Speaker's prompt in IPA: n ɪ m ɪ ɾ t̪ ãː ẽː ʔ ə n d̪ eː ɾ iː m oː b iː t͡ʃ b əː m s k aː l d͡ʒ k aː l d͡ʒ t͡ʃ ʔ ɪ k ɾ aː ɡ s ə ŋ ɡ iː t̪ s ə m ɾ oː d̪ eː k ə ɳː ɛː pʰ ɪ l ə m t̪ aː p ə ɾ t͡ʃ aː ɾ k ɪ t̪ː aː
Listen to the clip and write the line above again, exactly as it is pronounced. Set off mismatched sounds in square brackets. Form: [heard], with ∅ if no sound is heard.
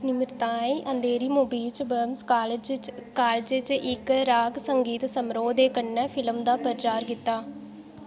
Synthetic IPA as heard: n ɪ m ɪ ɾ t̪ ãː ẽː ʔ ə n d̪ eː ɾ iː m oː b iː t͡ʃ b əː m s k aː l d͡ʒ k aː l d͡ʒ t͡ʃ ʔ ɪ k ɾ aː ɡ s ə ŋ ɡ iː t̪ s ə m ɾ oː d̪ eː k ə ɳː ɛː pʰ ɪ l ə m [d̪] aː p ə ɾ t͡ʃ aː ɾ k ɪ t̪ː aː